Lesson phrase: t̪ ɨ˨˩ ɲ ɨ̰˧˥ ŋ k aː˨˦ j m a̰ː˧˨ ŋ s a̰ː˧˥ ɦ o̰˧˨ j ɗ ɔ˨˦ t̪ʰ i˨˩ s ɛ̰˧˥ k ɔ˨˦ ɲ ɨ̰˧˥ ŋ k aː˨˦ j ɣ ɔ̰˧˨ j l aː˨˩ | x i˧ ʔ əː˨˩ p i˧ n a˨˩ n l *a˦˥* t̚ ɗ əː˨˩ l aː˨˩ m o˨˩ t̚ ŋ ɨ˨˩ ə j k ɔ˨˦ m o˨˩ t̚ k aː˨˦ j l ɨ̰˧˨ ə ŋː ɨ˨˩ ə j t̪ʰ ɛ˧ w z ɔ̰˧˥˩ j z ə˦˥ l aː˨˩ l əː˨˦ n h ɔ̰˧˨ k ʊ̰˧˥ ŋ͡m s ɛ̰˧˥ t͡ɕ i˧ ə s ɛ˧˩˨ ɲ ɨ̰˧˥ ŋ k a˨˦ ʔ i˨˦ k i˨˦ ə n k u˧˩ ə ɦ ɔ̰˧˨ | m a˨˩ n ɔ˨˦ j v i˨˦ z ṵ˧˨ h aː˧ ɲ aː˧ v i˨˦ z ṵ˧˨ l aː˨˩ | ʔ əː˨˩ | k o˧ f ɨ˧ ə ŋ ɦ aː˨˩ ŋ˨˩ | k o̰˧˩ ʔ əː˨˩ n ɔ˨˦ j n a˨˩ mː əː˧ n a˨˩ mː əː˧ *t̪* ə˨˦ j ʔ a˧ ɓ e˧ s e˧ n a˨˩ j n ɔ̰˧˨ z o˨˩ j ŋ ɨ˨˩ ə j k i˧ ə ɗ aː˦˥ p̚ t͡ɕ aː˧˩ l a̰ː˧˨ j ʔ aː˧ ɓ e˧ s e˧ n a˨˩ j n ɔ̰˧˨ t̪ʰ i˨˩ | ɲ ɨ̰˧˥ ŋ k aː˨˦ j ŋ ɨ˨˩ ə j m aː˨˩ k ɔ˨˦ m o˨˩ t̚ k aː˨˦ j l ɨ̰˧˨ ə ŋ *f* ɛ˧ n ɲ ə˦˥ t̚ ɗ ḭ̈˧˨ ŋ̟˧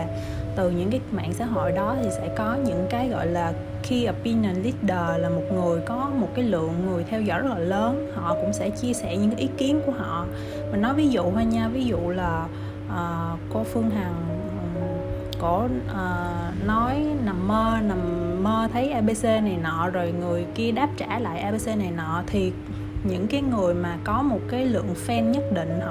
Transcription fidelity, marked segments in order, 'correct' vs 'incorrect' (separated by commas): incorrect, incorrect, correct